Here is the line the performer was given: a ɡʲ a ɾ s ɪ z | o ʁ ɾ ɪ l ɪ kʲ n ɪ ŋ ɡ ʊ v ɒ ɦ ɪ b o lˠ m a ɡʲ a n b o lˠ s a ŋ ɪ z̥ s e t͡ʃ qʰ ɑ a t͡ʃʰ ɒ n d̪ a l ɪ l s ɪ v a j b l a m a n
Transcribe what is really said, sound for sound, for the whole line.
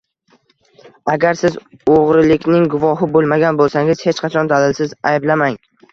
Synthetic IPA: a ɡʲ a ɾ s ɪ z | o ʁ ɾ ɪ l ɪ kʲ n ɪ ŋ ɡ ʊ v ɒ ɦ ɪ b o lˠ m a ɡʲ a n b o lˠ s a ŋ ɪ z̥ h e t͡ʃ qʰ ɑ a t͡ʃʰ ɒ n d̪ a l ɪ l s ɪ z a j b l a m a ŋ